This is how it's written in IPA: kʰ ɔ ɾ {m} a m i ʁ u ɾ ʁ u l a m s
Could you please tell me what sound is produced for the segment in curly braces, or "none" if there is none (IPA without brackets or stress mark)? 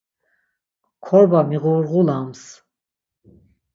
b